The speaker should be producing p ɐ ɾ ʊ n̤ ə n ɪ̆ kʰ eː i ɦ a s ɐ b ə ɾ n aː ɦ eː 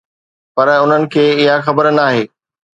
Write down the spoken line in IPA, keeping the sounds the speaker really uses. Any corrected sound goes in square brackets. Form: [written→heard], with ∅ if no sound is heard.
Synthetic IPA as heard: p ɐ ɾ ʊ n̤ ə n ɪ̆ kʰ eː [i→ɪ] ɦ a [s→x] ɐ b ə ɾ n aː ɦ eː